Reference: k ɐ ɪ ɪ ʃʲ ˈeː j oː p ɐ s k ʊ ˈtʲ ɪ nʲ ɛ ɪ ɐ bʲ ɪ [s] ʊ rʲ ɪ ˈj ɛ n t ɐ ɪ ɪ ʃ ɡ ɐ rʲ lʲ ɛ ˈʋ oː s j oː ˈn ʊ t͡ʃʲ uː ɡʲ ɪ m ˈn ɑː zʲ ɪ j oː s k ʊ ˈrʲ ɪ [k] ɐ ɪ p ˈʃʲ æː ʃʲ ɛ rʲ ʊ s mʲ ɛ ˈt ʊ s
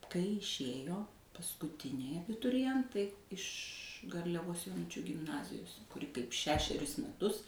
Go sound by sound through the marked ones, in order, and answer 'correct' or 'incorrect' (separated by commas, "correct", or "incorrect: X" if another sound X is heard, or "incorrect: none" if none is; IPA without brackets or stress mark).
incorrect: t, correct